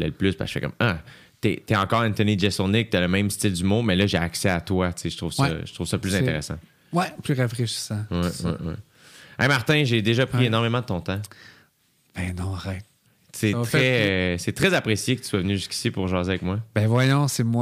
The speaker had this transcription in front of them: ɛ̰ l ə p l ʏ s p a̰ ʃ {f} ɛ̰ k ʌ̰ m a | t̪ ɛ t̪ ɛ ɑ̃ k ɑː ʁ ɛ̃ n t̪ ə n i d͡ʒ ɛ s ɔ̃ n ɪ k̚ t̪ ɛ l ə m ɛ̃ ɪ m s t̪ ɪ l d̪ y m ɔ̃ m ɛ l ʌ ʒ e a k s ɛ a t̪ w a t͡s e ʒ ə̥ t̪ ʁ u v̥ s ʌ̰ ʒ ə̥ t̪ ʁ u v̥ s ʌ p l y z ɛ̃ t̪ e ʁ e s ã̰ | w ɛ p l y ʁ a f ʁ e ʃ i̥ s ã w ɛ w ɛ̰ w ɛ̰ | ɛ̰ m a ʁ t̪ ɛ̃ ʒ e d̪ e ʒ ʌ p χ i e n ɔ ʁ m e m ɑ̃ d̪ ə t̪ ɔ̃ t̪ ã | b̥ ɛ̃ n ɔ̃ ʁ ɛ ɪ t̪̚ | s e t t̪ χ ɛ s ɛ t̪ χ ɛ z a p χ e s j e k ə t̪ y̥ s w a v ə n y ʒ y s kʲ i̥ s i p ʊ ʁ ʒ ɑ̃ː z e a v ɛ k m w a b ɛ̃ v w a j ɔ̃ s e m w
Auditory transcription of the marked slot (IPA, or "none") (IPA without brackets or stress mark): f